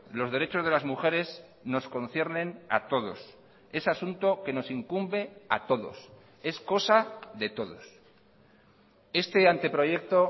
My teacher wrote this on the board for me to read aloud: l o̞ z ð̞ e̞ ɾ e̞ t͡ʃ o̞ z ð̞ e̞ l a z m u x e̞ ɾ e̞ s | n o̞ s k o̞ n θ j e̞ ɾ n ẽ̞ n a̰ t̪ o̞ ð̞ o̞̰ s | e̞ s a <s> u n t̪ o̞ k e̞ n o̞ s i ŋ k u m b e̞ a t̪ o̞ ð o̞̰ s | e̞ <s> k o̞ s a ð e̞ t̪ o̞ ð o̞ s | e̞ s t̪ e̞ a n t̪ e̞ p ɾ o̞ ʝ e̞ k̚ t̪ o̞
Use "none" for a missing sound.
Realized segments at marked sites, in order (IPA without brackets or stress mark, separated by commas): s, s